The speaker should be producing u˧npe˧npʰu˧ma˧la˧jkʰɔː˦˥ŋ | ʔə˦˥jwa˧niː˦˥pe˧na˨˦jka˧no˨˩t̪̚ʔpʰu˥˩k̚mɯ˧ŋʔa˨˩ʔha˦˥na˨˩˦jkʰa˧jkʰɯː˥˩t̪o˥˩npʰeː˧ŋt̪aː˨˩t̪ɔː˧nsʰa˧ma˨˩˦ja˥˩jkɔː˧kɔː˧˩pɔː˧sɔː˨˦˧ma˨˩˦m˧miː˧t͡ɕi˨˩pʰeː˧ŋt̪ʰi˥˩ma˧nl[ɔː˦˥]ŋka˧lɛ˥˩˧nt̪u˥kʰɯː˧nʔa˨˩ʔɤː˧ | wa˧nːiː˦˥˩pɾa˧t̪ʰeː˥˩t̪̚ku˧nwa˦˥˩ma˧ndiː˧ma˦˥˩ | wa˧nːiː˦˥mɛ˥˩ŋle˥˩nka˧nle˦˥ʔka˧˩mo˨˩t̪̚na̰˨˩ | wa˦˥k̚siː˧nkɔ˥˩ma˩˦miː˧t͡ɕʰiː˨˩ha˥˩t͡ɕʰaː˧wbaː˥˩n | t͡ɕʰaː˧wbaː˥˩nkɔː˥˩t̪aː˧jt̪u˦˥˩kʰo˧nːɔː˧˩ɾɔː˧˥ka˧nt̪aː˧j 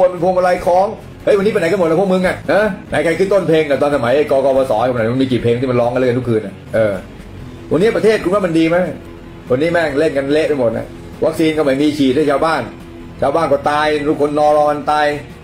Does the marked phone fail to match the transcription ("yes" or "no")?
no